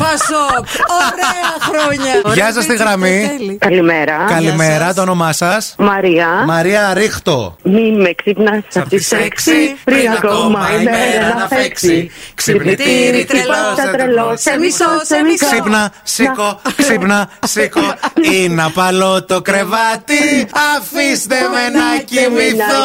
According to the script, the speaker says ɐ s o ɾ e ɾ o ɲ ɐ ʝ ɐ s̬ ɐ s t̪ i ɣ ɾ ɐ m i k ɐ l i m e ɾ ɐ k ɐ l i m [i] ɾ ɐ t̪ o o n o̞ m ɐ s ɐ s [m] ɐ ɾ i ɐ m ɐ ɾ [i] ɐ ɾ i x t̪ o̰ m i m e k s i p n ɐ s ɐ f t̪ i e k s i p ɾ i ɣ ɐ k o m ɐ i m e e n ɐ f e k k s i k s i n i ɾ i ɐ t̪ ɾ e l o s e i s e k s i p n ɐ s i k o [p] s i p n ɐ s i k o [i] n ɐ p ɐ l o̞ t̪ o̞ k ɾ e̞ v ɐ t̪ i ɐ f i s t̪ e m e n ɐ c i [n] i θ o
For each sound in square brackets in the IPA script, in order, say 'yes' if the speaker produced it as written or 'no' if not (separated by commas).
no, yes, yes, no, yes, no